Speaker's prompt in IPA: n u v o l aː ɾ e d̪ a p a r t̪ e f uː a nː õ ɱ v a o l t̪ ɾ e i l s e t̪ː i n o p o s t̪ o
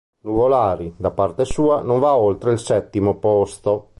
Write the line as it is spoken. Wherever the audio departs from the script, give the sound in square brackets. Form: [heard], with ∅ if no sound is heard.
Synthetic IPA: n u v o l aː ɾ [i] d̪ a p a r t̪ e [s] uː a [n] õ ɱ v a o l t̪ ɾ e i l s [ɛ] t̪ː i [m] o p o s t̪ o